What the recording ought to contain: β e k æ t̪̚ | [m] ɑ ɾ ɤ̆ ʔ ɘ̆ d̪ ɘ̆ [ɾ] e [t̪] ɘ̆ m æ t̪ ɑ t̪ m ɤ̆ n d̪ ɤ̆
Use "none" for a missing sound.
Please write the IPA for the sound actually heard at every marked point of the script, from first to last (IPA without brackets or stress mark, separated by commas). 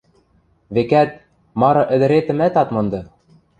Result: m, ɾ, t̪